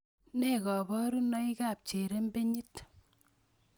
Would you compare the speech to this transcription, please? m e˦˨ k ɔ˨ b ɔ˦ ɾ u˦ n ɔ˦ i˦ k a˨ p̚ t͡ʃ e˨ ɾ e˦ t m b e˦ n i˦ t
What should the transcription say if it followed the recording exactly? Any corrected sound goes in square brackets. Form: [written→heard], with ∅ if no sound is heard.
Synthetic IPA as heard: [m→n] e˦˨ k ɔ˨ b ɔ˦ ɾ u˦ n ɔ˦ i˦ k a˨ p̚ t͡ʃ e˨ ɾ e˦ [t→∅] m b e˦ [n→ɲ] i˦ t